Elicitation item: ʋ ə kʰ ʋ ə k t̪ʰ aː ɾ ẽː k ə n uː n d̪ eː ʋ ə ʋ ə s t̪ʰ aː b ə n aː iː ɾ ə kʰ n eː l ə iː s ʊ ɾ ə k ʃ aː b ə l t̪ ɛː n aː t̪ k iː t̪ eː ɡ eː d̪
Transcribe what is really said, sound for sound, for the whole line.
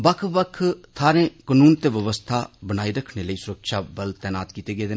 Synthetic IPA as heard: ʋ ə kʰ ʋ ə kʰ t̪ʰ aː ɾ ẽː k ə n uː n t̪ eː ʋ ə ʋ ə s t̪ʰ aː b ə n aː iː ɾ ə kʰ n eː l ə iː s ʊ ɾ ə k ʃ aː b ə l t̪ ɛː n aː t̪ k iː t̪ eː ɡ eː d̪